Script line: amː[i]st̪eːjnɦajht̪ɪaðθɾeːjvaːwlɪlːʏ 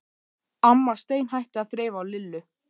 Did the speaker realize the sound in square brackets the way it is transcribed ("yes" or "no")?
no